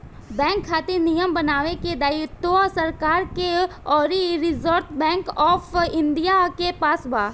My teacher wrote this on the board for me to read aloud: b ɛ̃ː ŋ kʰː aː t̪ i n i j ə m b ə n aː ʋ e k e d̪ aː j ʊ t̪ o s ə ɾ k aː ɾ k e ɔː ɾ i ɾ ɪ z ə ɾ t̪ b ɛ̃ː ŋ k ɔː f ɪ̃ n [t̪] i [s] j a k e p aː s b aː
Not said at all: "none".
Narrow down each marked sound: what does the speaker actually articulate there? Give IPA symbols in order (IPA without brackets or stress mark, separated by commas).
d̪, none